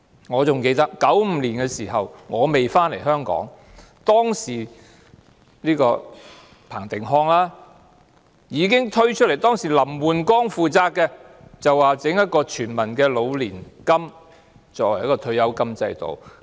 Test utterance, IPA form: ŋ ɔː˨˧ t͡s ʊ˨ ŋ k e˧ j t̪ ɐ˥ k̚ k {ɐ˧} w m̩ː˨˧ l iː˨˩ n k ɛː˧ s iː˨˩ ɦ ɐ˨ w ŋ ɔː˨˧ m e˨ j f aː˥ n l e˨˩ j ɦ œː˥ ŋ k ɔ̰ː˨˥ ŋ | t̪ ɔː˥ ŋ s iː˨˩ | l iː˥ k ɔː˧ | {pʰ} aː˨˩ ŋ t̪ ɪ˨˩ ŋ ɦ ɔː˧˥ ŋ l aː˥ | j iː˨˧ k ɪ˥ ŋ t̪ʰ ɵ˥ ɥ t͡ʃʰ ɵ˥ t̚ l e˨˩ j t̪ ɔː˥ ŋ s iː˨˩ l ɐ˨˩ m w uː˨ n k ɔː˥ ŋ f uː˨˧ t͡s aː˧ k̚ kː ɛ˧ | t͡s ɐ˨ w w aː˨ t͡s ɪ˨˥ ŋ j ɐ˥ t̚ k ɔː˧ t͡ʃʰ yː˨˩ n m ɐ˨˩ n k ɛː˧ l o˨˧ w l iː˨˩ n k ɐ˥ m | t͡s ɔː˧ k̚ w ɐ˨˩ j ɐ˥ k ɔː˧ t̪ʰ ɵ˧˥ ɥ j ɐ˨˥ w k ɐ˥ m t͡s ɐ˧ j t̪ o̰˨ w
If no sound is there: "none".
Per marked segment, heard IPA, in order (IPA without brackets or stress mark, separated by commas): ɐ˨˥, pʰ